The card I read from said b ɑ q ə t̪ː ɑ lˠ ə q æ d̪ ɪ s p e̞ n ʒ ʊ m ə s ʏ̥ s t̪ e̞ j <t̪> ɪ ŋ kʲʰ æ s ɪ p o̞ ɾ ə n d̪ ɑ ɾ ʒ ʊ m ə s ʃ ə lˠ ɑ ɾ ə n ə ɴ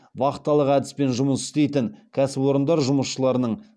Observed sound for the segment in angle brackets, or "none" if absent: t̪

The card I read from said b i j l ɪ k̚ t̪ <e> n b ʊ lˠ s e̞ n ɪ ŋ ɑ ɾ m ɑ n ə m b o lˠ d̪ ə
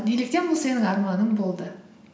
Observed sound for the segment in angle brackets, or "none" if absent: e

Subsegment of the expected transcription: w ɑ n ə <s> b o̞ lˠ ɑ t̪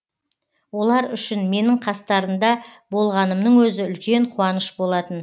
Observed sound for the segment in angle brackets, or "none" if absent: ʃ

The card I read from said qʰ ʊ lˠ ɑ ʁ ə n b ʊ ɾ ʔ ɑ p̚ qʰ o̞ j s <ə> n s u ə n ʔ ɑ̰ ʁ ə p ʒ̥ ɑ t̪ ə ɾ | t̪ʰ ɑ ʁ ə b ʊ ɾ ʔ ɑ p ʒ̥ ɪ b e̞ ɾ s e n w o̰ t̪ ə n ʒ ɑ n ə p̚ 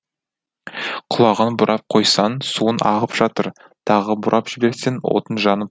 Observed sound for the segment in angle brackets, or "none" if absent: ɑ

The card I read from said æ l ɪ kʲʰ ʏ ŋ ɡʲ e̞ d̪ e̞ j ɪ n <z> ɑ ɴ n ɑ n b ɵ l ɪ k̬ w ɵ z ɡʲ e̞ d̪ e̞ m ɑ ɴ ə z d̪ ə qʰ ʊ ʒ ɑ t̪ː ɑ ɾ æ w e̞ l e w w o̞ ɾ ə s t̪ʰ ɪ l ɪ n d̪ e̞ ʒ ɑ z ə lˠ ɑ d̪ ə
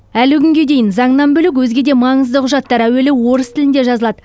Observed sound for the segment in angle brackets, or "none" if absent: z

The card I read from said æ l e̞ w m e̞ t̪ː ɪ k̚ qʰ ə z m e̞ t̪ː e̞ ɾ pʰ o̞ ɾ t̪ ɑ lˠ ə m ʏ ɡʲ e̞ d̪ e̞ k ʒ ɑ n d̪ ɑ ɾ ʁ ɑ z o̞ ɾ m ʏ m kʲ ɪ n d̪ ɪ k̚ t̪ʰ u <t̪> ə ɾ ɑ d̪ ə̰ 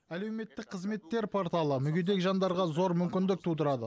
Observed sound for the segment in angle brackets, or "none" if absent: d̪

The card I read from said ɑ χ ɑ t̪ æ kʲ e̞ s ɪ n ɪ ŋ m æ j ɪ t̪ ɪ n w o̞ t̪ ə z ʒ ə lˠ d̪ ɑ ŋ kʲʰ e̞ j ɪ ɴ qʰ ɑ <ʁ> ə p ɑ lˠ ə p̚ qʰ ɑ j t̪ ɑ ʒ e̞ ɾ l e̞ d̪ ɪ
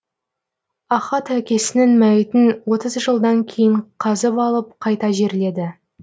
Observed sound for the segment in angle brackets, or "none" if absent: z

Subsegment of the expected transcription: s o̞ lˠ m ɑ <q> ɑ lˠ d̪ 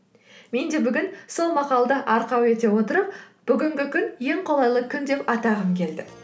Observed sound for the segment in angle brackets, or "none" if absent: q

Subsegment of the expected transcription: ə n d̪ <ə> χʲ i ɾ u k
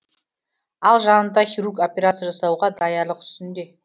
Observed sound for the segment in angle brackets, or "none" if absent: ɑ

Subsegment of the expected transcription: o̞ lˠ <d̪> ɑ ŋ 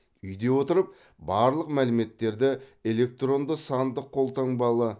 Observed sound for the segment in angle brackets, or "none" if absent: t̪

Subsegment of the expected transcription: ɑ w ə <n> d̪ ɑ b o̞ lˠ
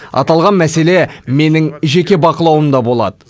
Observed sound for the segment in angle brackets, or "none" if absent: m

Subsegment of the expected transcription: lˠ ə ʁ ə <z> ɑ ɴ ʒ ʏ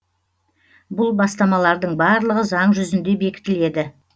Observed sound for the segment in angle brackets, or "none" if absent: z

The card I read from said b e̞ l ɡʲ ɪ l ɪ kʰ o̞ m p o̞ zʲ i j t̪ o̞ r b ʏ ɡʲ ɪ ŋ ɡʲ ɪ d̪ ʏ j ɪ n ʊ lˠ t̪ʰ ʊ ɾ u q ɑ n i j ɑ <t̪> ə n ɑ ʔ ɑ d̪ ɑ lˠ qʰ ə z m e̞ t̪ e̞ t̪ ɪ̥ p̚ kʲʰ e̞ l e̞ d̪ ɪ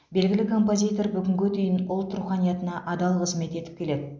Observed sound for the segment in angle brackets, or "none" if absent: t̪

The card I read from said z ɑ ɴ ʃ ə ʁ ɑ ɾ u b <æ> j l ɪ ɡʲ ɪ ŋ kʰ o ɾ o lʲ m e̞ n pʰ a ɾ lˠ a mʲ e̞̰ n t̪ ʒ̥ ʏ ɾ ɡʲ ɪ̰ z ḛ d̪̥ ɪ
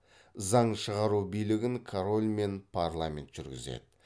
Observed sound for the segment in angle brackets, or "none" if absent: i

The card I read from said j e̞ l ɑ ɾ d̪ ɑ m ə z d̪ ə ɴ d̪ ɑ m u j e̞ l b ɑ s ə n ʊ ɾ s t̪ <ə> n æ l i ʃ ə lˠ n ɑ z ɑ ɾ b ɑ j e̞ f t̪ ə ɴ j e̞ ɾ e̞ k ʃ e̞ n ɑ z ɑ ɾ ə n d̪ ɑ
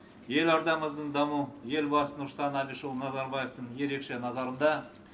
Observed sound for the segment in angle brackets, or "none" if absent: ɑ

